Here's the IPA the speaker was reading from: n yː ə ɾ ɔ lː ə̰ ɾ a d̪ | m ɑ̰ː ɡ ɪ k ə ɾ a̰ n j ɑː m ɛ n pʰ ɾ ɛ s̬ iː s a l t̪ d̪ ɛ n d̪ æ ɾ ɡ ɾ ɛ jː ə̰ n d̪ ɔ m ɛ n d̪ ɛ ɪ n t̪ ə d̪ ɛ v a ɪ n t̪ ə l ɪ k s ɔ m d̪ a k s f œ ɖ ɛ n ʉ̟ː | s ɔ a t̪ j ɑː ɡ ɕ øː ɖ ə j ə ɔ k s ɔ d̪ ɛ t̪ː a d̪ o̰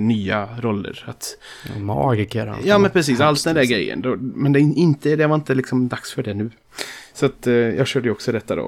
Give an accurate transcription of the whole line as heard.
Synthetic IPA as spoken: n yː a ɾ ɔ lː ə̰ ɾ a t̪ | m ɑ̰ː ɡ ɪ k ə ɾ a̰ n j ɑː m ɛ n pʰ ɾ ɛ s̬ iː s a l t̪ d̪ ɛ n d̪ æ ɾ ɡ ɾ ɛ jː ə̰ n d̪ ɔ m ɛ n d̪ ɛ ɪ n t̪ ə d̪ ɛ v a ɪ n t̪ ə l ɪ k s ɔ m d̪ a k s f œ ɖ ɛ n ʉ̟ː | s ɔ a t̪ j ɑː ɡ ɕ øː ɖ ə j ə ɔ k s ɔ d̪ ɛ t̪ː a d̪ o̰